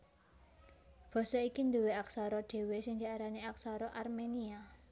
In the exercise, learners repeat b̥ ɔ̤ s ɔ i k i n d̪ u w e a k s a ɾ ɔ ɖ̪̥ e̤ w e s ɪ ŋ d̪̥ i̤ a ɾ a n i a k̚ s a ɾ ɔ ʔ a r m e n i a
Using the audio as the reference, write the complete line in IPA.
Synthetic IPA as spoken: b̥ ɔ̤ s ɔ i k i n d̪ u w e a k s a ɾ ɔ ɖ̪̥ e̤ w e s ɪ ŋ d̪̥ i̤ a ɾ a n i a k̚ s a ɾ ɔ ʔ a r m e n i a